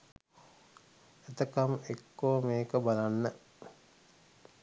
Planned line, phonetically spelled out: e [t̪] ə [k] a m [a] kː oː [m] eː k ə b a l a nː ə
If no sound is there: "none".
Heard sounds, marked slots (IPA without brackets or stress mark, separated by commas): t̪, k, e, m